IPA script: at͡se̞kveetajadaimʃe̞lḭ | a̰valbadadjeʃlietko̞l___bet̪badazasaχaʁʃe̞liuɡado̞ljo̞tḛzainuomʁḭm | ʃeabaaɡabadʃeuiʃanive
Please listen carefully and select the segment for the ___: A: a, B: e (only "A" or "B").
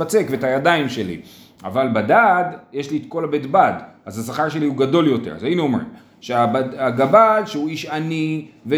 A